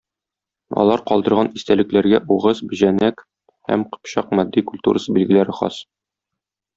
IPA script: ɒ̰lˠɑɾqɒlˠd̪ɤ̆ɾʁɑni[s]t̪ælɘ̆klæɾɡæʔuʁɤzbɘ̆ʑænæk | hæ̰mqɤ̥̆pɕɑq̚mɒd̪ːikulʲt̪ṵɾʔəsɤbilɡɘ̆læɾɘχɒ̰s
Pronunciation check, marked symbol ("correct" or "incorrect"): correct